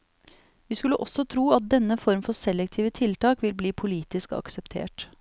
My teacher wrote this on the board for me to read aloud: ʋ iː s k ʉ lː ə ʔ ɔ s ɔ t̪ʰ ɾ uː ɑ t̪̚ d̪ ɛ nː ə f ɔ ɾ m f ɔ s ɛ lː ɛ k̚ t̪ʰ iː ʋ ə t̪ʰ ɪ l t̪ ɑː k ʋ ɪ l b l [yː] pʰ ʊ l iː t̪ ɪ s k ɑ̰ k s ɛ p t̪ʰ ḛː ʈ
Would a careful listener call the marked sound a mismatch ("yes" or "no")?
yes